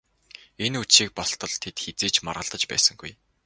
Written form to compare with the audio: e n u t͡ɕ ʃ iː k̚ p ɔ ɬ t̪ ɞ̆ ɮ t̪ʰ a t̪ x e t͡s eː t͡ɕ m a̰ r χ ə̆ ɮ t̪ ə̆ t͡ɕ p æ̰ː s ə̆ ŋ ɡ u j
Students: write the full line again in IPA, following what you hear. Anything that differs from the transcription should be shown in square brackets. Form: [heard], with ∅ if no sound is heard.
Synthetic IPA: e n u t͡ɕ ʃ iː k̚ p ɔ ɬ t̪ ɞ̆ ɮ t̪ʰ [e] t̪ x e t͡s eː t͡ɕ m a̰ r [ʁ] ə̆ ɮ t̪ ə̆ t͡ɕ p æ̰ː s ə̆ ŋ ɡ u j